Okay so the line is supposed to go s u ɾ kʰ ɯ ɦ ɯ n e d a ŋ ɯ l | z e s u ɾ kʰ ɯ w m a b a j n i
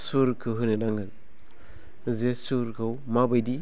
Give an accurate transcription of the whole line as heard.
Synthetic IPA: s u ɾ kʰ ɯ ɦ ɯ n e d a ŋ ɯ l | z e s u ɾ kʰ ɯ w m a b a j d i